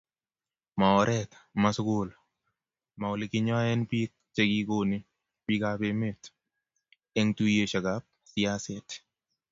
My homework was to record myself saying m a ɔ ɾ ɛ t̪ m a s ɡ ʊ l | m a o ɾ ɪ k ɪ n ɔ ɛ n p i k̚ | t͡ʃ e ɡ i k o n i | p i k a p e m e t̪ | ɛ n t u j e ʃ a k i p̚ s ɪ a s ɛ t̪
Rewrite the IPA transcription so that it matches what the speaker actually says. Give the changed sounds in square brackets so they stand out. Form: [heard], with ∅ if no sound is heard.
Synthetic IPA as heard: m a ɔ ɾ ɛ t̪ m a s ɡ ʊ l | m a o [l] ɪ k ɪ [ɲ] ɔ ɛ n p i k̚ | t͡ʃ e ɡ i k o n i | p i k a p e m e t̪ | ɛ [ŋ] t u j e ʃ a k [a] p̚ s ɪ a s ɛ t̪

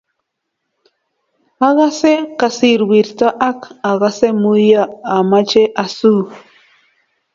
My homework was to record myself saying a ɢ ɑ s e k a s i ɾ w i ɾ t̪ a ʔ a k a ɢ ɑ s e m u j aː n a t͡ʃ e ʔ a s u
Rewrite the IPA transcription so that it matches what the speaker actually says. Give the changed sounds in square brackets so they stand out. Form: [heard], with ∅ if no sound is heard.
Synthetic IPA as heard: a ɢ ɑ s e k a s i ɾ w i ɾ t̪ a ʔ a k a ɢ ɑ s e m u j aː [m] a t͡ʃ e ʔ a s u

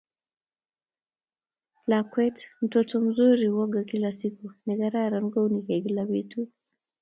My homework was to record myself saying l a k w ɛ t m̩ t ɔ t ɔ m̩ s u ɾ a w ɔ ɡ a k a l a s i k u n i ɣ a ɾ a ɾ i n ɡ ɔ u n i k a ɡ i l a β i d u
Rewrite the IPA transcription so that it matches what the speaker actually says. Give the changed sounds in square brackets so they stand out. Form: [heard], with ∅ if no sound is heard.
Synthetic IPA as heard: l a k w ɛ t m̩ t ɔ t ɔ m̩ [z] u ɾ [i] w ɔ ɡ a k [i] l a s i k u n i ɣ a ɾ a ɾ [a] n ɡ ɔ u n i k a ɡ i l a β i [t] u

